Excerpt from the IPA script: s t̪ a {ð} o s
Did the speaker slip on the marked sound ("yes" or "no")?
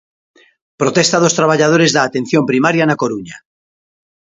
no